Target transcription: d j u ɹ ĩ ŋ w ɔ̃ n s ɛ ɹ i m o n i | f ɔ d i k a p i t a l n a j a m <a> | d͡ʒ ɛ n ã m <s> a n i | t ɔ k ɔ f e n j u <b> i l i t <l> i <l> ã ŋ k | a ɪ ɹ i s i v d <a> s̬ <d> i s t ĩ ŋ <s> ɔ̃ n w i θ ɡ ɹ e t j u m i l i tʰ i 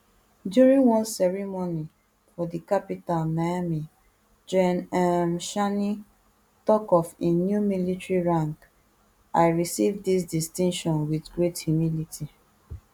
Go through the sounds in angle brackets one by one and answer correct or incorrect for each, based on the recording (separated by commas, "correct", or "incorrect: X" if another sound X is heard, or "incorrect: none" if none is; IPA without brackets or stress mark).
incorrect: i, incorrect: ʃ, incorrect: m, incorrect: ɹ, incorrect: ɹ, incorrect: i, correct, incorrect: ʃ